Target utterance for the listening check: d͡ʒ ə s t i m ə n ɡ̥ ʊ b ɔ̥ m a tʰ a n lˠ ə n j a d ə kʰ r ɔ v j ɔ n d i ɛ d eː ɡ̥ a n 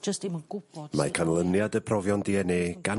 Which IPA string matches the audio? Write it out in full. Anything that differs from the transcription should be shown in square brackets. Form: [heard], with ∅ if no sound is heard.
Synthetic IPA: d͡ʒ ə s t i m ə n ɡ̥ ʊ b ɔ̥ m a [kʰ] a n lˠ ə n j a d ə [pʰ] r ɔ v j ɔ n d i ɛ [n] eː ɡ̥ a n